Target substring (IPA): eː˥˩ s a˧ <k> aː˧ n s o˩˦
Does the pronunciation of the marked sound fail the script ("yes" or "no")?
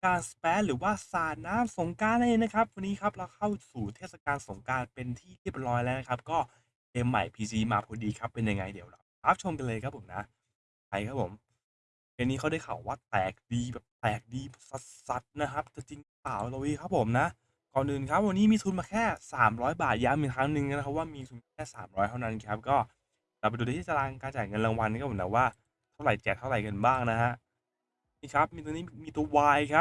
no